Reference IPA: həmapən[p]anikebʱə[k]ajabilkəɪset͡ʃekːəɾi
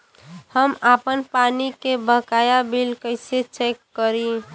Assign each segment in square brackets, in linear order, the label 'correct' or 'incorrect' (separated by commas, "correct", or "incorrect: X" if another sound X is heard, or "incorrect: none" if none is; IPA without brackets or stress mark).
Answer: correct, correct